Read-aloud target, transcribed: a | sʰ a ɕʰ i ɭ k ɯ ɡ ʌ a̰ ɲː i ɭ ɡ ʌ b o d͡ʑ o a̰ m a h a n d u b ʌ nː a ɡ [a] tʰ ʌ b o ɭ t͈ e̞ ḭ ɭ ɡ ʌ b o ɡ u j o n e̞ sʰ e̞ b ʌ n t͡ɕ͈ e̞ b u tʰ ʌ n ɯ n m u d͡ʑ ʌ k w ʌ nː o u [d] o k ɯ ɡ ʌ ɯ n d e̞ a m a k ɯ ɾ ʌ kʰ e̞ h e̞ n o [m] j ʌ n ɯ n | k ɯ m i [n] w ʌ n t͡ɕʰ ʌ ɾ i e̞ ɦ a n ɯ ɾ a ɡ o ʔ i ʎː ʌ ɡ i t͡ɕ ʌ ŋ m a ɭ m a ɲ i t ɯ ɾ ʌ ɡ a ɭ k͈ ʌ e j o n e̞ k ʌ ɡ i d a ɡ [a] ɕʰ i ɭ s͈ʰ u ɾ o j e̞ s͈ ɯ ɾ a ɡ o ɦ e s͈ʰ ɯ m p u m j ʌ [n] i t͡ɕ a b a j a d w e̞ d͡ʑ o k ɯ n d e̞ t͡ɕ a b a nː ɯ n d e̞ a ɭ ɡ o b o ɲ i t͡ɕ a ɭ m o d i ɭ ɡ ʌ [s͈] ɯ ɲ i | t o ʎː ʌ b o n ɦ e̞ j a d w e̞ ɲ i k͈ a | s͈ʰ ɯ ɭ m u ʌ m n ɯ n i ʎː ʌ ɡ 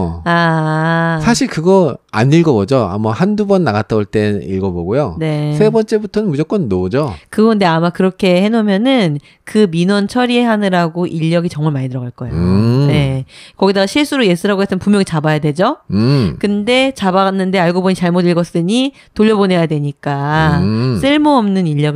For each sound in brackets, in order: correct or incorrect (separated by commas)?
correct, incorrect, correct, correct, correct, incorrect, correct